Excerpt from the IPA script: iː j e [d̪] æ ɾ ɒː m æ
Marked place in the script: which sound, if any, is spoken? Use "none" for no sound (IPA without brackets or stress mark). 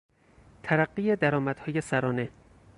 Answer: d̪